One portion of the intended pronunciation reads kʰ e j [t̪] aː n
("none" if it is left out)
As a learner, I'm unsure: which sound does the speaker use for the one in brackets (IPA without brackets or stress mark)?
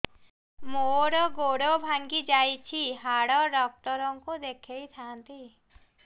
t̪ʰ